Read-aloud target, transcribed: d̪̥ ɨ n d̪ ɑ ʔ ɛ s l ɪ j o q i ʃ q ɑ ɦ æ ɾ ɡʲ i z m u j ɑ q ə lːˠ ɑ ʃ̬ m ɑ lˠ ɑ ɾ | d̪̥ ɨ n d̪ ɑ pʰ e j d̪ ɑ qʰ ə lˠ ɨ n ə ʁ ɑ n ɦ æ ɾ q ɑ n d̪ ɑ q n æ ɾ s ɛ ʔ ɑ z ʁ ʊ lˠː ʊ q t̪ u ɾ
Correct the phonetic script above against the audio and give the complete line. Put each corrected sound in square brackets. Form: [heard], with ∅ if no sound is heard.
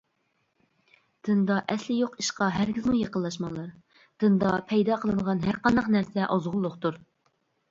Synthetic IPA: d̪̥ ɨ n d̪ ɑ ʔ ɛ s l ɪ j o q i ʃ q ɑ ɦ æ ɾ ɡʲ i z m u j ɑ q ə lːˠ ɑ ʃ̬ m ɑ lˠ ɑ ɾ | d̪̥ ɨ n d̪ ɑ pʰ [ɛ] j d̪ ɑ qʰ ə lˠ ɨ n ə ʁ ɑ n ɦ æ ɾ q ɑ n d̪ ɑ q n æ ɾ s ɛ ʔ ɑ z ʁ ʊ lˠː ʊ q t̪ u ɾ